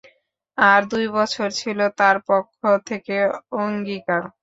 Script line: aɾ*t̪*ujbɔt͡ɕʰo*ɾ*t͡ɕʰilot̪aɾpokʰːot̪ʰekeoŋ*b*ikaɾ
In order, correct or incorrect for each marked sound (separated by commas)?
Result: incorrect, correct, incorrect